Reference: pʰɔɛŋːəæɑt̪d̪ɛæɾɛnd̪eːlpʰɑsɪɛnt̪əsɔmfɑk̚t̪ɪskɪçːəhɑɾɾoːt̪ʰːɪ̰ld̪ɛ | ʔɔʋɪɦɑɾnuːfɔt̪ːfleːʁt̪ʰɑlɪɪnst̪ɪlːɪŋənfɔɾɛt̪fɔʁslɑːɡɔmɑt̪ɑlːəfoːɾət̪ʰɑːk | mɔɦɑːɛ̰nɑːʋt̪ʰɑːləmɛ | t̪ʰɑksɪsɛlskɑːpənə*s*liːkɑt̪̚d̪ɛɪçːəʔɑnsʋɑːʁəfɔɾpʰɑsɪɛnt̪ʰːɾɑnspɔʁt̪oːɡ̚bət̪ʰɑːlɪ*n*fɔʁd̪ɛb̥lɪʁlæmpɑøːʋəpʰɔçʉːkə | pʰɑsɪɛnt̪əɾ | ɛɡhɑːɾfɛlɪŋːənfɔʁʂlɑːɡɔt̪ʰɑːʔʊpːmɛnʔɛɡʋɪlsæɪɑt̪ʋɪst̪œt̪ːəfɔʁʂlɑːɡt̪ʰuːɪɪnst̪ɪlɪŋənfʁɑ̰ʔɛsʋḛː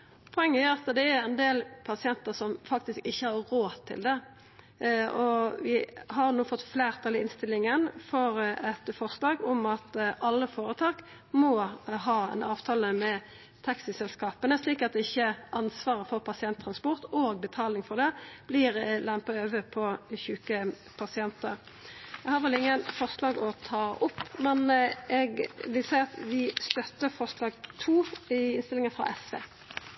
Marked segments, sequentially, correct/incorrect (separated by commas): correct, incorrect